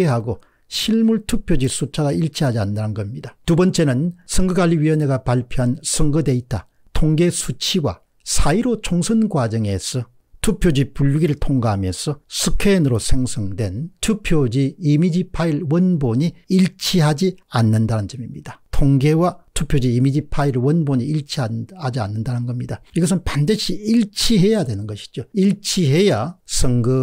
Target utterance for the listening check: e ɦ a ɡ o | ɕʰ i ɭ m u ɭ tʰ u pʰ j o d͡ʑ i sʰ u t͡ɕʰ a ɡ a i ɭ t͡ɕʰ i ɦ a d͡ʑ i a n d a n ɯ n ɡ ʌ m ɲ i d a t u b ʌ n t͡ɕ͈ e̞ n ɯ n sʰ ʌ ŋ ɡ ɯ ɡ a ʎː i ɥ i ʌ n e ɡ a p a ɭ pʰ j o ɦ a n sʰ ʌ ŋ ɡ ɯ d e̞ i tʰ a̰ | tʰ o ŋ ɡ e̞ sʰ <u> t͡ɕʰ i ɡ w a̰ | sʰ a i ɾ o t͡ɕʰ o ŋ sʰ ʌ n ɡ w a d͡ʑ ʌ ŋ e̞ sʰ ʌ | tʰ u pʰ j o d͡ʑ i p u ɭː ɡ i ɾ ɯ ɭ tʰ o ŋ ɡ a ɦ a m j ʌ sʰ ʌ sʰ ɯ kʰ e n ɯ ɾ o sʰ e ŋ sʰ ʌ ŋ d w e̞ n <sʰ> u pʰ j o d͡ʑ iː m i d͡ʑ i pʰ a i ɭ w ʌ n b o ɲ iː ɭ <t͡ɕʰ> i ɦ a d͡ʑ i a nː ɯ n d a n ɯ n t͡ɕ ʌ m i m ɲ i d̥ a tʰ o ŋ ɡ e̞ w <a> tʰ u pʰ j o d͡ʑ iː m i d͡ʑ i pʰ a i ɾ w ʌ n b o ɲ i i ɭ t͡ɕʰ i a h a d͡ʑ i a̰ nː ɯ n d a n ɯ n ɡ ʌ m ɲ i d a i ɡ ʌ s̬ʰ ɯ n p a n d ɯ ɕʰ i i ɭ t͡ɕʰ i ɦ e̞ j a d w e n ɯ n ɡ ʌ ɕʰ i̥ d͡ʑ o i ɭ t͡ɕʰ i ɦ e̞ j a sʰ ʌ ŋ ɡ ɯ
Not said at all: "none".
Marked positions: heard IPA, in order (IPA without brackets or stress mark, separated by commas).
u, tʰ, t͡ɕʰ, a